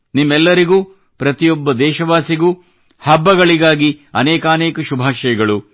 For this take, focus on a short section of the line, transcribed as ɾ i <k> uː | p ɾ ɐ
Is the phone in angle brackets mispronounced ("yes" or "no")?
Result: yes